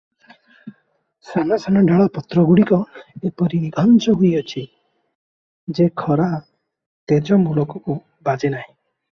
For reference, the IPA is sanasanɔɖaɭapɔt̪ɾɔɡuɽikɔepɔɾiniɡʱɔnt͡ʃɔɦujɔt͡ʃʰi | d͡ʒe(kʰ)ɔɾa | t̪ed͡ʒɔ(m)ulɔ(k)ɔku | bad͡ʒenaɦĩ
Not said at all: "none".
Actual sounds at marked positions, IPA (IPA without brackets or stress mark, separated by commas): kʰ, m, k